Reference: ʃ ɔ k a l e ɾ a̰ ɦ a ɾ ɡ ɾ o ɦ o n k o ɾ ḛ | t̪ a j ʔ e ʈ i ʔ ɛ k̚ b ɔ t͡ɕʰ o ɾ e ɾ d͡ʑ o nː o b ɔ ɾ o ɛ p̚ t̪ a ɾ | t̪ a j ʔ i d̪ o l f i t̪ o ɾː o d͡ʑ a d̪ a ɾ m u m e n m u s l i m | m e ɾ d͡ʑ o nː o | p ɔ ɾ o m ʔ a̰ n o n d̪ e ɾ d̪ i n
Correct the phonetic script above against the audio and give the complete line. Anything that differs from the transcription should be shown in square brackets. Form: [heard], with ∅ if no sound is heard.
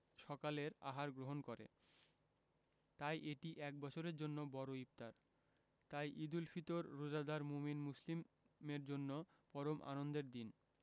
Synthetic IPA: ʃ ɔ k a l e ɾ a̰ ɦ a ɾ ɡ ɾ o ɦ o n k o ɾ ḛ | t̪ a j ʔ e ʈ i ʔ ɛ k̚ b ɔ t͡ɕʰ o ɾ e ɾ d͡ʑ o nː o b ɔ ɾ o [i] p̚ t̪ a ɾ | t̪ a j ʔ i d̪ [u] l f i t̪ o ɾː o d͡ʑ a d̪ a ɾ m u m [i] n m u s l i m | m e ɾ d͡ʑ o nː o | p ɔ ɾ o m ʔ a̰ n o n d̪ e ɾ d̪ i n